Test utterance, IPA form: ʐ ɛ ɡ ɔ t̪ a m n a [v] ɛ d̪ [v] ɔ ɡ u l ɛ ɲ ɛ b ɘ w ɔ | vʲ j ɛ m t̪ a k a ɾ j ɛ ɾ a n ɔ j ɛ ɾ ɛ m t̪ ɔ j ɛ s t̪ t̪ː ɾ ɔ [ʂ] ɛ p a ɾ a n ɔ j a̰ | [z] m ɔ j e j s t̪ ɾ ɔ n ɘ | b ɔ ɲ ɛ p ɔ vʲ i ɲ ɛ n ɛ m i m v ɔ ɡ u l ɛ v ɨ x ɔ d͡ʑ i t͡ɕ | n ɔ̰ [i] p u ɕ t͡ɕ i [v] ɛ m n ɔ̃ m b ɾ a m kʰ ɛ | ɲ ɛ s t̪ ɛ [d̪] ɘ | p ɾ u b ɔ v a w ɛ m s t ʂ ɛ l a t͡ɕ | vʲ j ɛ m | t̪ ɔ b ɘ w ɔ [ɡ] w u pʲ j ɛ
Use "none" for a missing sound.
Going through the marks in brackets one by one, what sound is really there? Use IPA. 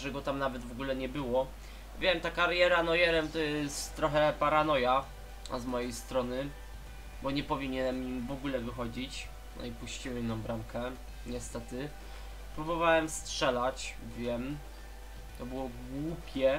v, v, x, z, i, w, t̪, ɡ

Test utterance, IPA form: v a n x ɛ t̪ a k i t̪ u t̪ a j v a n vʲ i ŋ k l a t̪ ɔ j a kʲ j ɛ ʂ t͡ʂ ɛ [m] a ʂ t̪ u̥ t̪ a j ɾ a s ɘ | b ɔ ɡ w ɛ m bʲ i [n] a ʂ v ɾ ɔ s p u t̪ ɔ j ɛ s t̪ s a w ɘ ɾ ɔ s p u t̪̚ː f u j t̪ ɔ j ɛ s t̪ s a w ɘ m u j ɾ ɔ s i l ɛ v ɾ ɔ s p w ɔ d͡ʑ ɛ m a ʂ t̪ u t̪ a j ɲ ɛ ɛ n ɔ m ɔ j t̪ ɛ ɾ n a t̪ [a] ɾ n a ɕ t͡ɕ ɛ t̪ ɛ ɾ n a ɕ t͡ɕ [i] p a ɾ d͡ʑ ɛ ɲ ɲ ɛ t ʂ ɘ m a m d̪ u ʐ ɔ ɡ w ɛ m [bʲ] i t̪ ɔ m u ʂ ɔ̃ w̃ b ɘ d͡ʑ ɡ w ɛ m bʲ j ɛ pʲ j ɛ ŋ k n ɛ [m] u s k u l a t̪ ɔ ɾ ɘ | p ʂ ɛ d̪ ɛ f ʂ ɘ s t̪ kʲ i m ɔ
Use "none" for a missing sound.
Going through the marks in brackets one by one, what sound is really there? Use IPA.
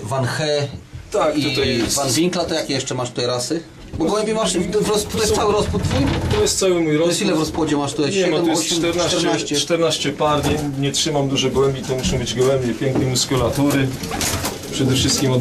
m, m, ɛ, ɛ, bʲ, m

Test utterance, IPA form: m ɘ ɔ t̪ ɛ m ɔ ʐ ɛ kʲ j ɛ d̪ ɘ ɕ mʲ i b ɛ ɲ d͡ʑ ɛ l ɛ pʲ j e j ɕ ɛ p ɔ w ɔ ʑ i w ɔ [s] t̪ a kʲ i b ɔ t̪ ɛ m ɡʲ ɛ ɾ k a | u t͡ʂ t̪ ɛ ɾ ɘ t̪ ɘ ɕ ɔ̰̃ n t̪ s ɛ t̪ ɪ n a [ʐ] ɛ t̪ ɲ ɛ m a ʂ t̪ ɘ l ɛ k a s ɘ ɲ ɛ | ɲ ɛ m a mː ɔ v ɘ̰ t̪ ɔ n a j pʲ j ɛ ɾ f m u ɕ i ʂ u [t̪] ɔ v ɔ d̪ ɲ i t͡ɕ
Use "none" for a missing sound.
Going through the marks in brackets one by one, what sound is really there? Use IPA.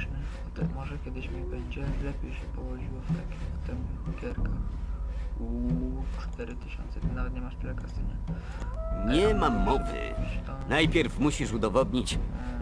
f, v, d̪

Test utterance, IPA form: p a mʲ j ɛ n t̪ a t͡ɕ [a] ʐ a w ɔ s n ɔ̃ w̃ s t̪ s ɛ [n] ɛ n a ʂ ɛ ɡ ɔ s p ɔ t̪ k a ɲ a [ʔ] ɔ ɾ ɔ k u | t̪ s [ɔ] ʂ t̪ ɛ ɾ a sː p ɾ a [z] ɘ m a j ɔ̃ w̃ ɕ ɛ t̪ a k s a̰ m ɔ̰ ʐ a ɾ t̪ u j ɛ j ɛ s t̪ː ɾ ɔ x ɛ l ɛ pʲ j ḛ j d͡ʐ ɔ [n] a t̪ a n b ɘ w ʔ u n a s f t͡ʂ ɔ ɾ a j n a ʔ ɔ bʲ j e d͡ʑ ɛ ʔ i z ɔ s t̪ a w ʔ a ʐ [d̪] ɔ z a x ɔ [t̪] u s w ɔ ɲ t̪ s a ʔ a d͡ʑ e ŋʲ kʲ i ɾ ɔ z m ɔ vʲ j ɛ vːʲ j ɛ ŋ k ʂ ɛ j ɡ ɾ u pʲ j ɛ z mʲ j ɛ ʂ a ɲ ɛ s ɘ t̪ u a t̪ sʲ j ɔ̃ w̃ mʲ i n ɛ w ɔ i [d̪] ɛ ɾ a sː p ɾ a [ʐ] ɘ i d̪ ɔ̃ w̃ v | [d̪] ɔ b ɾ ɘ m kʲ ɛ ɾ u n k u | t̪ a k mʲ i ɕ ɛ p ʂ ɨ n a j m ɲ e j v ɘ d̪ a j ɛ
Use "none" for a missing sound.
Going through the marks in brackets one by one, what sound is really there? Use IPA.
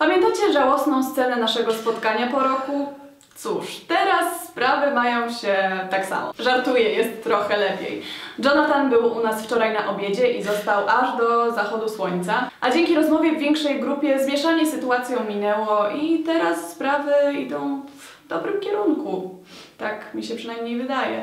ɛ, n, p, u, v, n, d̪, d̪, t̪, v, d̪

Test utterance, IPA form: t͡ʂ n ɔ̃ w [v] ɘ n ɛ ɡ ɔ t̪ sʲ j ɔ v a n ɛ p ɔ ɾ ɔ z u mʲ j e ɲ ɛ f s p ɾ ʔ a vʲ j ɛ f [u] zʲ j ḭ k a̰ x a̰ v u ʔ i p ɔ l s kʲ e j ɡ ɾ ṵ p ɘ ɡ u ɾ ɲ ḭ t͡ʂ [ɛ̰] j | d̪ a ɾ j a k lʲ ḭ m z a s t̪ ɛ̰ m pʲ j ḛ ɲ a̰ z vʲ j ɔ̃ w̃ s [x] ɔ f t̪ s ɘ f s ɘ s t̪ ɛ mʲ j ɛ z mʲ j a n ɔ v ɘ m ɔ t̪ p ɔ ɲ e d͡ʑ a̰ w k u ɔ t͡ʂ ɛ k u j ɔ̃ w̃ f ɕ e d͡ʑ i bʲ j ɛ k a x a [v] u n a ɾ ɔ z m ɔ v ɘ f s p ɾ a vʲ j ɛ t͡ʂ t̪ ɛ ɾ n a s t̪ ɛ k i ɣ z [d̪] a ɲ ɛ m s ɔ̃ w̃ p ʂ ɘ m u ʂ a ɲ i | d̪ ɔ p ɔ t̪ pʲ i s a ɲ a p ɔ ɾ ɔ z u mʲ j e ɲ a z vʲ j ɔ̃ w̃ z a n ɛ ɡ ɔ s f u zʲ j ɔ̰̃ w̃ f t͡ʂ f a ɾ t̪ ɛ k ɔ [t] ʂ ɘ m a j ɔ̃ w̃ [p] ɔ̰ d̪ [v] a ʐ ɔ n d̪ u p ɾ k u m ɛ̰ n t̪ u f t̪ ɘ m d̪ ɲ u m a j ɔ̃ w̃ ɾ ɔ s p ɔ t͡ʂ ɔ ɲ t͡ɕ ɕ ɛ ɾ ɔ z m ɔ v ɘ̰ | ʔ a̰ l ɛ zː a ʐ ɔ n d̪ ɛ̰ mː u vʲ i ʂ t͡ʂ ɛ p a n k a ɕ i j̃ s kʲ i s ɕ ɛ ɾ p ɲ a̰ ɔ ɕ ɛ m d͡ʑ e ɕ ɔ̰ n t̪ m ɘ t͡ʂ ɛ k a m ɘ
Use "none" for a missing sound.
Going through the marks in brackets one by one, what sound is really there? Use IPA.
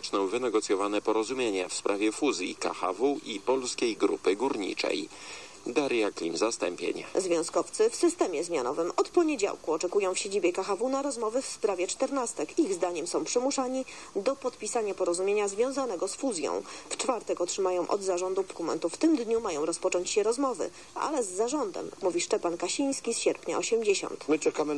v, u, ɛ̰, k, v, d̪, t, ʔ, z

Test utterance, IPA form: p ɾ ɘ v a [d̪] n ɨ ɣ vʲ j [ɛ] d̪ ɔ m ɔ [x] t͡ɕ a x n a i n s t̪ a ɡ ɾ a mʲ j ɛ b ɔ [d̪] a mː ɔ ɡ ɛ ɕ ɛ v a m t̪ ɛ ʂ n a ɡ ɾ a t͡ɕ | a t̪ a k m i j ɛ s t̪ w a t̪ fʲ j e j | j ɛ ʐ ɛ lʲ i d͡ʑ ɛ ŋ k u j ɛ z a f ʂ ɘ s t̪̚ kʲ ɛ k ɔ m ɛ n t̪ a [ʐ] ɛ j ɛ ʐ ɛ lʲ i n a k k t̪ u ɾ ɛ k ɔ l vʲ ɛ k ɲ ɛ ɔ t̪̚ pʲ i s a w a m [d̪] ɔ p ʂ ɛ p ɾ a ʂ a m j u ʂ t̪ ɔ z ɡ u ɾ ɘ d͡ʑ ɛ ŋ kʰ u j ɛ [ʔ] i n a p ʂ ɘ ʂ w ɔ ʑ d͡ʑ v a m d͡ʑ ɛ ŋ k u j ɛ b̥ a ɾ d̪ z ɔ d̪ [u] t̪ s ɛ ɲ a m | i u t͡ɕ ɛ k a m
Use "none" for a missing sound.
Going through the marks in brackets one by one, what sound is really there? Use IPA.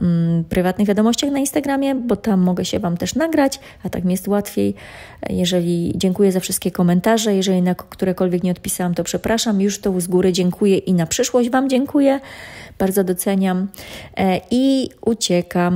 t̪, a, ɕ, t̪, ʐ, t̪, ʔ, ɔ

